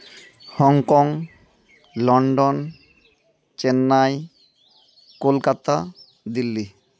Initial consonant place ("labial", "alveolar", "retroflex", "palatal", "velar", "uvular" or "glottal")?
glottal